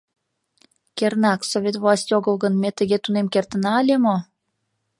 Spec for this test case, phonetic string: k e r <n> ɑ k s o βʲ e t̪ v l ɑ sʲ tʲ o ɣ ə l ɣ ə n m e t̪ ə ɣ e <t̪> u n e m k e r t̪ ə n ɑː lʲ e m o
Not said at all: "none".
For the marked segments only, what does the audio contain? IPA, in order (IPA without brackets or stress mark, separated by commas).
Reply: n, t̪